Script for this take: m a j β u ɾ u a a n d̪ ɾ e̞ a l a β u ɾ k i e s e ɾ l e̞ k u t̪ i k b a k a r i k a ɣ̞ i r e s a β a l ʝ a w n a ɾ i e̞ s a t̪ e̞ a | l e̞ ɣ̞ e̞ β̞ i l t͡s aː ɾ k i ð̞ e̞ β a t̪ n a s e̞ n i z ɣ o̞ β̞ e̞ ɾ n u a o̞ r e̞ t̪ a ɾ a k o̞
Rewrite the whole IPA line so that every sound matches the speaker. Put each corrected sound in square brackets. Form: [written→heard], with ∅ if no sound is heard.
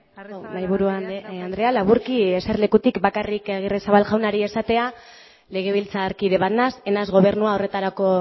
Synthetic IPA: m a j β u ɾ u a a n d̪ ɾ e̞ a l a β u ɾ k i e s e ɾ l e̞ k u t̪ i k b a k a r i k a ɣ̞ i r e s a β a l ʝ a w n a ɾ i e̞ s a t̪ e̞ a | l e̞ ɣ̞ e̞ β̞ i l t͡s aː ɾ k i ð̞ e̞ β a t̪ n a s e̞ n [i→a] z ɣ o̞ β̞ e̞ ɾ n u a o̞ r e̞ t̪ a ɾ a k o̞